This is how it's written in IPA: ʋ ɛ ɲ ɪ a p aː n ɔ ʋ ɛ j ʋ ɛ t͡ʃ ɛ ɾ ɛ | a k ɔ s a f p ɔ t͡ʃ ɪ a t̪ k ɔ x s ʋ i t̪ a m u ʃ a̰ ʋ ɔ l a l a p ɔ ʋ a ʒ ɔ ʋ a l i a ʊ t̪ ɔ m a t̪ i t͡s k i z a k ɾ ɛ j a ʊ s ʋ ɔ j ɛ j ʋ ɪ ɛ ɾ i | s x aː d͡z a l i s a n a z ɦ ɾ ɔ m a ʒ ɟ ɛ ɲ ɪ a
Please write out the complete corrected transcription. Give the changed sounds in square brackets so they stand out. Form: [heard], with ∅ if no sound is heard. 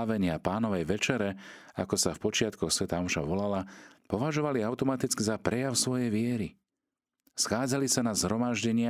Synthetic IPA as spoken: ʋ ɛ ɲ ɪ a p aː n ɔ ʋ ɛ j ʋ ɛ t͡ʃ ɛ ɾ ɛ | a k ɔ s a f p ɔ t͡ʃ ɪ a t̪ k ɔ x s ʋ [ɛ] t̪ a m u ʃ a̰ ʋ ɔ l a l a p ɔ ʋ a ʒ ɔ ʋ a l i a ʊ t̪ ɔ m a t̪ i t͡s k i z a [p] ɾ ɛ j a ʊ s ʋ ɔ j ɛ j ʋ ɪ ɛ ɾ i | s x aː d͡z a l i s a n a z ɦ ɾ ɔ m a ʒ ɟ ɛ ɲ ɪ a